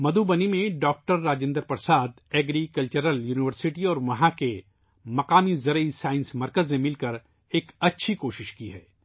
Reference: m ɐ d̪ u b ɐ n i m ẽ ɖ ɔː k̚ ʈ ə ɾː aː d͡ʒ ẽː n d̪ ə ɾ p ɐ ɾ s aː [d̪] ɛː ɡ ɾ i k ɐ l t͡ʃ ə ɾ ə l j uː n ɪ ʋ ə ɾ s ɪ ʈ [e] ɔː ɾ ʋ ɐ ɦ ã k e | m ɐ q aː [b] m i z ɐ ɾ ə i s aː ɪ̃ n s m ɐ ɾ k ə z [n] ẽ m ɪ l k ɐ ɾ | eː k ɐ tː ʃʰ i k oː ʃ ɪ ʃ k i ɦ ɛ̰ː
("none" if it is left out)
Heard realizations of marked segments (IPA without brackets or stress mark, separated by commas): d̪, i, none, n